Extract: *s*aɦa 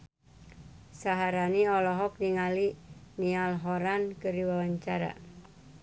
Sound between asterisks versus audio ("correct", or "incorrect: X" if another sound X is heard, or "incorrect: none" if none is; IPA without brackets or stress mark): correct